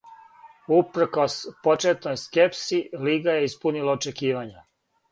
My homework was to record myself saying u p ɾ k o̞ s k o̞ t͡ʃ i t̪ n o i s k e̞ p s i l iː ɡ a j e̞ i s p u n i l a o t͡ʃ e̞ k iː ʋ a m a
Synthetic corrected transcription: u p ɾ k o̞ s p o̞ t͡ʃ e t̪ n o j s k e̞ p s i l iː ɡ a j e̞ i s p u n i l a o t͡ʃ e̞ k iː ʋ a ɲ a